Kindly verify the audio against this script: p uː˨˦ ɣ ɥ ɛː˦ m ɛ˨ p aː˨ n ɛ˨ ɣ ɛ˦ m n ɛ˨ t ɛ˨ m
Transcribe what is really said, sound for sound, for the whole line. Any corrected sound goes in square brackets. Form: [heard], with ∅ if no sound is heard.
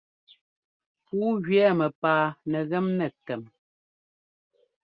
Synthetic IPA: p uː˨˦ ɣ ɥ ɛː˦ m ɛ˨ p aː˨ n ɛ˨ ɣ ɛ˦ m n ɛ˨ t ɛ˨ m